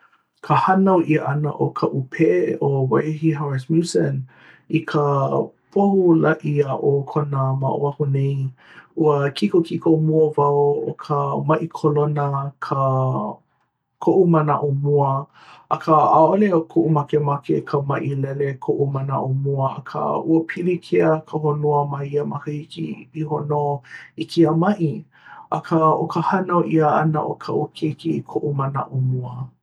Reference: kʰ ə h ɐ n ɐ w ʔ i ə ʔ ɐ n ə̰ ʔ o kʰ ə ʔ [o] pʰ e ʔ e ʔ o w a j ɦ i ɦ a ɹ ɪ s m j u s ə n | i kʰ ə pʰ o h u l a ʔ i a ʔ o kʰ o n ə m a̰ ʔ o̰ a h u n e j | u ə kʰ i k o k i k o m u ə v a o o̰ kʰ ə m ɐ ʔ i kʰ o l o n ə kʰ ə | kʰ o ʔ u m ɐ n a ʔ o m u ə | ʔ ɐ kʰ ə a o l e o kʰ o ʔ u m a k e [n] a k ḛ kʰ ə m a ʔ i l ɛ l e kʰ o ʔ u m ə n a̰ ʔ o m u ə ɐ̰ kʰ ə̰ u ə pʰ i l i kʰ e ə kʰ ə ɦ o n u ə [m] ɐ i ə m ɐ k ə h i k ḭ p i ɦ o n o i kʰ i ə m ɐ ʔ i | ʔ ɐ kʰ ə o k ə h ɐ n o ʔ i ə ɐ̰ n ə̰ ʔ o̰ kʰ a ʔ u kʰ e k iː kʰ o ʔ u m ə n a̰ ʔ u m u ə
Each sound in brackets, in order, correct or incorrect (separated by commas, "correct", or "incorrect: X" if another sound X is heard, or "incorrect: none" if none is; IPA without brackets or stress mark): incorrect: u, incorrect: m, correct